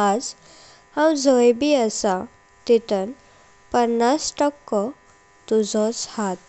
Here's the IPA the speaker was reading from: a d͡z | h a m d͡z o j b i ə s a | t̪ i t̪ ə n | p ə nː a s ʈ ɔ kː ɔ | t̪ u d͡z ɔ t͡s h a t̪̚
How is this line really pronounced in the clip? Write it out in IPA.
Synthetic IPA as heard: a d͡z | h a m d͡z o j b i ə s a | t̪ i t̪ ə n | p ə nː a s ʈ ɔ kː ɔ | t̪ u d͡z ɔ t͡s h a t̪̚